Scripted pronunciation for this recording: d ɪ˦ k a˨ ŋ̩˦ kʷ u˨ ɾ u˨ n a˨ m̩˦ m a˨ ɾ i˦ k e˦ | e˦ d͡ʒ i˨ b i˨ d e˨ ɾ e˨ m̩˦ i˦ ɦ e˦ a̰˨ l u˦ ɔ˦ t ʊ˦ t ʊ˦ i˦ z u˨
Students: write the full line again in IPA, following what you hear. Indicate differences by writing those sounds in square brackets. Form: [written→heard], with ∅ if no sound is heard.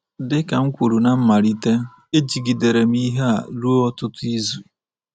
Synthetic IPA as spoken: d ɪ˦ k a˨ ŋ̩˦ kʷ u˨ ɾ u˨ n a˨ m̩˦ m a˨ ɾ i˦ [k→t] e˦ | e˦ d͡ʒ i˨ [b→ɡ] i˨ d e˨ ɾ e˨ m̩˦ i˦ ɦ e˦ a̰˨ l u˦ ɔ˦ t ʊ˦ t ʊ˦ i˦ z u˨